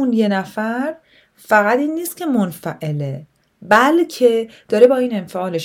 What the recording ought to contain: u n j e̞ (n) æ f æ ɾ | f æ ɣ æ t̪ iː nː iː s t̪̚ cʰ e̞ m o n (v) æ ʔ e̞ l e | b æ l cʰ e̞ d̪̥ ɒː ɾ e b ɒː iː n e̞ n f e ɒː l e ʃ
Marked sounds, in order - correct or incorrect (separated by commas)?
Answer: correct, incorrect